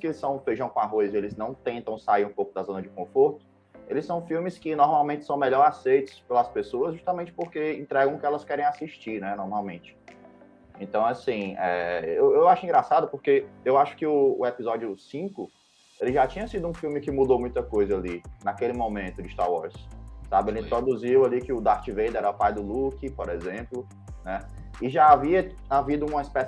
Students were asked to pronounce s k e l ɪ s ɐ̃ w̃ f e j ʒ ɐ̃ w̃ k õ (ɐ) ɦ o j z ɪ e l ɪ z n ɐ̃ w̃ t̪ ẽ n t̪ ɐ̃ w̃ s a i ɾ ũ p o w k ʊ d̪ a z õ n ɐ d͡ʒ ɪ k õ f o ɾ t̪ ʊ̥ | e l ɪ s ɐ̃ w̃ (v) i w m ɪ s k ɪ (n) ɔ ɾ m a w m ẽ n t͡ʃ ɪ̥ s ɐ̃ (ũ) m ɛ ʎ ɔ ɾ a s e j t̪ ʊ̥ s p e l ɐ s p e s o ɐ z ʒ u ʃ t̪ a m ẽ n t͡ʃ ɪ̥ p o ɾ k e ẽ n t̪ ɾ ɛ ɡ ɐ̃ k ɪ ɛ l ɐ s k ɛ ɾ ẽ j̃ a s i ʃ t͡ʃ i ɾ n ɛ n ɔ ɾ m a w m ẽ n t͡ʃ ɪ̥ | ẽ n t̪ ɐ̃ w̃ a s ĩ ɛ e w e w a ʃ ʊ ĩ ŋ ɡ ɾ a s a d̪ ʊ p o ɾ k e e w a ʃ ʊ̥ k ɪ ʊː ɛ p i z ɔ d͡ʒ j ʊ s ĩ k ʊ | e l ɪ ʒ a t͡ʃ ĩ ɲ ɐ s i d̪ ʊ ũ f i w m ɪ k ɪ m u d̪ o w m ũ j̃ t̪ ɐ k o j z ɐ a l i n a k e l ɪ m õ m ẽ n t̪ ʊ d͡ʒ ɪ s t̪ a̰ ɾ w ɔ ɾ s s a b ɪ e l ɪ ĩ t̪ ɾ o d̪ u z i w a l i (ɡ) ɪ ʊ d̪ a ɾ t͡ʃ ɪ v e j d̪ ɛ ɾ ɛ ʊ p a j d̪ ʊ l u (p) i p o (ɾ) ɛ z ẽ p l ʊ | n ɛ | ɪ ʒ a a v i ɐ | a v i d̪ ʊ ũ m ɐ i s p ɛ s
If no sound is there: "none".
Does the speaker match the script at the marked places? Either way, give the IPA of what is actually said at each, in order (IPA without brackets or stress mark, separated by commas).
a, f, n, w̃, k, k, ɾ